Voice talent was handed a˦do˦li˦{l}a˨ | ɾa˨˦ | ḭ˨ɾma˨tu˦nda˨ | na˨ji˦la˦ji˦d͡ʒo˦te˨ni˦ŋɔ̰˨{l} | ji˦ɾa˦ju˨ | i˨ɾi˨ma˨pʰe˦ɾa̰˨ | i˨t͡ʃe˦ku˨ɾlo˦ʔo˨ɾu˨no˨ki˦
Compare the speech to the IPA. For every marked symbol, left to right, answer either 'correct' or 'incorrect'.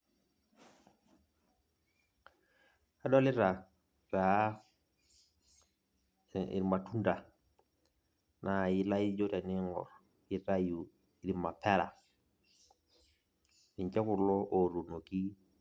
incorrect, incorrect

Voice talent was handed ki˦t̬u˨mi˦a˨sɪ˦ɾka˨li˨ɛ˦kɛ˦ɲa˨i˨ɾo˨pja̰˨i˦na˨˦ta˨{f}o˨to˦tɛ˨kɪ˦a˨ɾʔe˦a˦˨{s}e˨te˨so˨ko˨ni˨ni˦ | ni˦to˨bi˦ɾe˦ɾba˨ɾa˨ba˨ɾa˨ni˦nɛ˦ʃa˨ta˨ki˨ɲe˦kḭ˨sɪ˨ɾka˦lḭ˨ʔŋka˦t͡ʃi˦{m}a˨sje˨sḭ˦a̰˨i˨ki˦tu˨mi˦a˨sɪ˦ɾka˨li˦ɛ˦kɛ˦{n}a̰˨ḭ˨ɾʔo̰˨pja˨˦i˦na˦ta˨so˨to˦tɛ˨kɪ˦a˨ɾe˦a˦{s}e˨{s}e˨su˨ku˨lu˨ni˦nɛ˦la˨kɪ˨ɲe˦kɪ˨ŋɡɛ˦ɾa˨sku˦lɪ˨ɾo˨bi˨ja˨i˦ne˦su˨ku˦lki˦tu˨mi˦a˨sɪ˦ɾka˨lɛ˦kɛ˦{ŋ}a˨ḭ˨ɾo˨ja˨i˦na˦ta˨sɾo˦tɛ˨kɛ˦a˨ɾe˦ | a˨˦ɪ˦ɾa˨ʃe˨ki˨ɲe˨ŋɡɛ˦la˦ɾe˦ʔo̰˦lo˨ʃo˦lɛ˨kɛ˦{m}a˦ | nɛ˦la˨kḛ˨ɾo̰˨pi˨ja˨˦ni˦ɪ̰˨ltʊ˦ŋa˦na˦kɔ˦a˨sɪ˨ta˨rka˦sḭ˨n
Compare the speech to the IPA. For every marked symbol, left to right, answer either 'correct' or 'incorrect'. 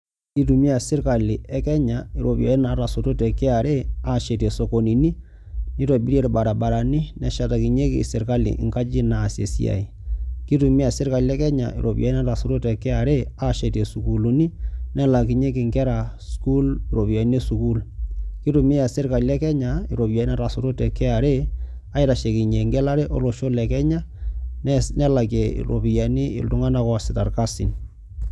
incorrect, incorrect, incorrect, incorrect, incorrect, incorrect, incorrect, incorrect

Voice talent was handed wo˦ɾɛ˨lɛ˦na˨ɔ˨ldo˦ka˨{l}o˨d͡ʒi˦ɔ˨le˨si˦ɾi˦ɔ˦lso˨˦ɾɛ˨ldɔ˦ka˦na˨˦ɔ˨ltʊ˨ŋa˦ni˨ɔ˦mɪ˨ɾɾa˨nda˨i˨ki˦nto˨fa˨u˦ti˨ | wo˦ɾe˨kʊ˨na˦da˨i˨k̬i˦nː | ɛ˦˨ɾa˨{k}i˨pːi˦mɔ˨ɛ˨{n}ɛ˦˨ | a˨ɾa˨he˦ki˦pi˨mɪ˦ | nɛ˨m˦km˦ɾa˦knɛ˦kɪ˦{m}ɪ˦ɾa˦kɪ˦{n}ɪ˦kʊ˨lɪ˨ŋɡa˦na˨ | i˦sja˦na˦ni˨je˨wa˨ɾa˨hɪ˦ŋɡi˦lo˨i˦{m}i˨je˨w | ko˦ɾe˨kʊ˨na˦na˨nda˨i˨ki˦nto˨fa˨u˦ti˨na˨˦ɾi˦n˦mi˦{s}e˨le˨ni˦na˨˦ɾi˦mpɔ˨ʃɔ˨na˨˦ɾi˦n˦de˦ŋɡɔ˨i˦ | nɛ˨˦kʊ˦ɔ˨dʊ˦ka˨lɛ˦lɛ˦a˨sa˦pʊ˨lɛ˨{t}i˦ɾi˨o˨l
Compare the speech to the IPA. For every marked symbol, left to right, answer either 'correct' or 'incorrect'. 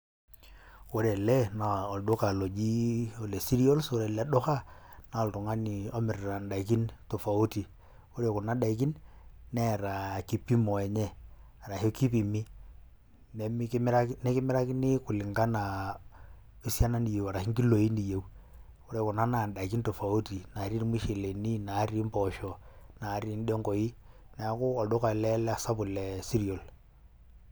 correct, correct, incorrect, correct, correct, incorrect, incorrect, incorrect

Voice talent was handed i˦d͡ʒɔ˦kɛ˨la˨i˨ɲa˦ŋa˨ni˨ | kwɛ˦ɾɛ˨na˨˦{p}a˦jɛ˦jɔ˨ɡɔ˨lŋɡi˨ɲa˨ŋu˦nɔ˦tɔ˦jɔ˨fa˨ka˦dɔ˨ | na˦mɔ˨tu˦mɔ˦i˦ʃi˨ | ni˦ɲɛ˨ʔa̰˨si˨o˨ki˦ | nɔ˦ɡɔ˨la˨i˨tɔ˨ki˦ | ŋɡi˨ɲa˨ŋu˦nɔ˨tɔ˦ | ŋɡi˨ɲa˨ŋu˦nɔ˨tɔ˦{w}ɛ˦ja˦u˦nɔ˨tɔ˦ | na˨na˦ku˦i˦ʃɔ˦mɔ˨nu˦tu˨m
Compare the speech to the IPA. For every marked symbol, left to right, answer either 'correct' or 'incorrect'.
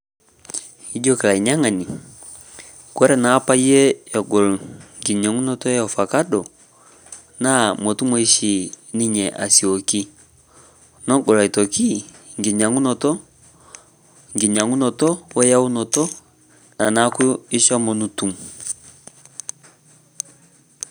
correct, correct

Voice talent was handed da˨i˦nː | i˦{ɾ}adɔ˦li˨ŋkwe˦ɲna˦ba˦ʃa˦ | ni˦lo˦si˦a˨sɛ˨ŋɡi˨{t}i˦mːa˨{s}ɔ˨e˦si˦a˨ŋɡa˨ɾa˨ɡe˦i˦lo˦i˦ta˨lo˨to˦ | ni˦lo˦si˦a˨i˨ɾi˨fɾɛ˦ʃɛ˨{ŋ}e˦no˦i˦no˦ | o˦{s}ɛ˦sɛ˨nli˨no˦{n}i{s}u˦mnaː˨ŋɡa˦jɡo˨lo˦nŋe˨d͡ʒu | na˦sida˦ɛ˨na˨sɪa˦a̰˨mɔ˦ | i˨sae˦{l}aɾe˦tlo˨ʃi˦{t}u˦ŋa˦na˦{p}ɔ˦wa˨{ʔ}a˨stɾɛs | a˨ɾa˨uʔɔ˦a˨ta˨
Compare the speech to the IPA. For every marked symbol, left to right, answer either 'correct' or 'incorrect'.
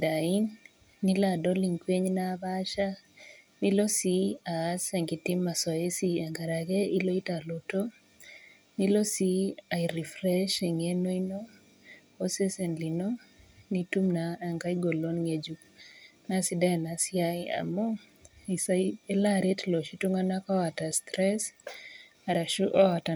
incorrect, correct, correct, correct, correct, correct, incorrect, correct, correct, incorrect, incorrect

